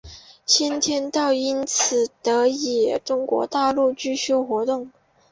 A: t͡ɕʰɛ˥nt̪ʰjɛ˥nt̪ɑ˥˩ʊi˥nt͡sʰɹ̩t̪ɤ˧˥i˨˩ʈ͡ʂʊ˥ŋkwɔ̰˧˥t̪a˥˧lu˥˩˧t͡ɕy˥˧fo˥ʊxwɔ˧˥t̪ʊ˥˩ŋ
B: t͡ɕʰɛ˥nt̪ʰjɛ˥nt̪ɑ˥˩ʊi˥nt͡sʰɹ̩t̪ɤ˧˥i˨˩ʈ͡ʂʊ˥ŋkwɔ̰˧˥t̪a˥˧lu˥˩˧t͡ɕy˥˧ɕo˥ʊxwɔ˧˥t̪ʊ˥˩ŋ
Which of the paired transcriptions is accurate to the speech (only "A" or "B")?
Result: B